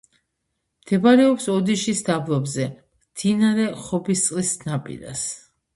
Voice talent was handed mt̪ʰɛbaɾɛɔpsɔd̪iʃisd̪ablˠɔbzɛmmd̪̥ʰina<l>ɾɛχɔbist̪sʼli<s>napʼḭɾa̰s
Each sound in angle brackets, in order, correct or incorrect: incorrect, correct

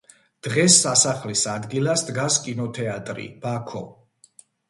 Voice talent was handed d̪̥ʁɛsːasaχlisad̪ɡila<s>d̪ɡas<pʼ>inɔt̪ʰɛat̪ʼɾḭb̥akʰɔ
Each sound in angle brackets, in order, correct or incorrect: correct, incorrect

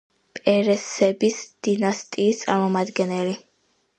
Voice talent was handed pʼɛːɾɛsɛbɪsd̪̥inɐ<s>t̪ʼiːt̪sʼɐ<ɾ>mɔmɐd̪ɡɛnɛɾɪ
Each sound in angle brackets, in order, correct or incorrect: correct, correct

